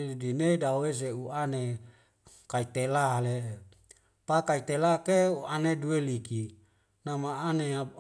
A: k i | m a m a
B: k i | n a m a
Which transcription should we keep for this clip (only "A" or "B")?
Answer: B